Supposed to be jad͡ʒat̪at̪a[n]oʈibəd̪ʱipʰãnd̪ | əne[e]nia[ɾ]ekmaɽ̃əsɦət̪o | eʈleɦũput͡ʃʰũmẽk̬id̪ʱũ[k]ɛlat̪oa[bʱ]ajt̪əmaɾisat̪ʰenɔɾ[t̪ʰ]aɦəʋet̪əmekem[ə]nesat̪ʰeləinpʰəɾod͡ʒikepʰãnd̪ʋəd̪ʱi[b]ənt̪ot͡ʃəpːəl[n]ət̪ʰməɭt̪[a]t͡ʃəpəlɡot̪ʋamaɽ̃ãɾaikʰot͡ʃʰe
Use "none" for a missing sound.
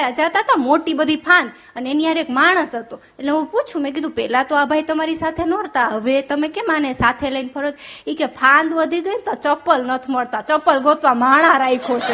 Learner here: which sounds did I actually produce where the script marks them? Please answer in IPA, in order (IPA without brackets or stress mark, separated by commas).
m, e, ɾ, p, bʱ, t̪, a, ɡ, n, a